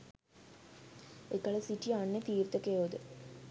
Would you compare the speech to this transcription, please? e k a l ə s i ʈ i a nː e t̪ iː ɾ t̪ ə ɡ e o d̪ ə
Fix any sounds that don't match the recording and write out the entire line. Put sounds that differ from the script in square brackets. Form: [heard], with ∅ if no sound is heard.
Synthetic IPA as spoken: e k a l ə s i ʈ i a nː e t̪ iː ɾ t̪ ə [k] e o d̪ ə